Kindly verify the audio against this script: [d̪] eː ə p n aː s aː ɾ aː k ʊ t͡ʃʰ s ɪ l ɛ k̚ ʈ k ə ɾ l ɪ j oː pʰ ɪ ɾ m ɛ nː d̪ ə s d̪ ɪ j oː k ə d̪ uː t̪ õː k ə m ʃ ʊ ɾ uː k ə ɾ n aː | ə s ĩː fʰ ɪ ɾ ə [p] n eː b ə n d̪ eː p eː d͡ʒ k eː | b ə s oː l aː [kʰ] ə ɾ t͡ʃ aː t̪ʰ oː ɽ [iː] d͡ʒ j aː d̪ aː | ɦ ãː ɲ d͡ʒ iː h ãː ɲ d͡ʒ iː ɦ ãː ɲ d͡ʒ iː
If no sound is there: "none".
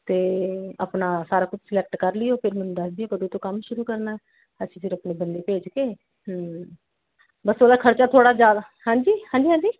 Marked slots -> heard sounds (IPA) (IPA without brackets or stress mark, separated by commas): t̪, p, kʰ, aː